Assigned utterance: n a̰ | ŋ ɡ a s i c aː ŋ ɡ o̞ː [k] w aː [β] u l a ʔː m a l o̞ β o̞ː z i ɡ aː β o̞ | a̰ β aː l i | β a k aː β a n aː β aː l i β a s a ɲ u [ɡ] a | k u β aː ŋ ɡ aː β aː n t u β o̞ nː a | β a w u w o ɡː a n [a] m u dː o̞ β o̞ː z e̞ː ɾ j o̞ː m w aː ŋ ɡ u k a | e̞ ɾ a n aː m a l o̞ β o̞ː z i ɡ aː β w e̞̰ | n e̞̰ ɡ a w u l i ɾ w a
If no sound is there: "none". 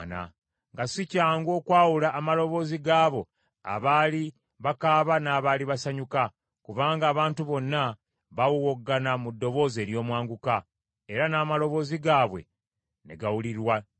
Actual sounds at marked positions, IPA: k, w, k, a

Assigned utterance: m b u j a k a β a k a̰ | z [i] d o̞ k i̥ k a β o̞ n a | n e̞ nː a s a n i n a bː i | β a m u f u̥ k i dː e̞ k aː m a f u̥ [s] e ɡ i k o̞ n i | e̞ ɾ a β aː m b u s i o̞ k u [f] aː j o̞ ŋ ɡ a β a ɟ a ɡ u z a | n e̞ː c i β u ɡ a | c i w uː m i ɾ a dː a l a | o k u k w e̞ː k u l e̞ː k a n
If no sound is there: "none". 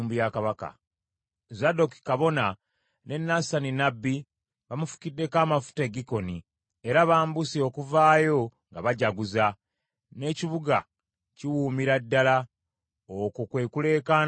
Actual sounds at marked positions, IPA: a, t, v

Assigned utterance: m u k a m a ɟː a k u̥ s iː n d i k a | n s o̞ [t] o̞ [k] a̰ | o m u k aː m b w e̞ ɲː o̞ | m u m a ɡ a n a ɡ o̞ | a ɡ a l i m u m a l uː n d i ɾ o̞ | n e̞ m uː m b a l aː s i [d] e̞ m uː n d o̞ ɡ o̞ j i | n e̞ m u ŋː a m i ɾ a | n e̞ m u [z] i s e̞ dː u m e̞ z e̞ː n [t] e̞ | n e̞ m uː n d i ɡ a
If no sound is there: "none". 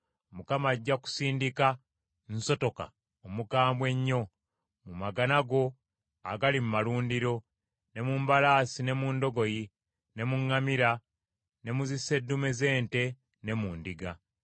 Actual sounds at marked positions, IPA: t, k, n, z, t

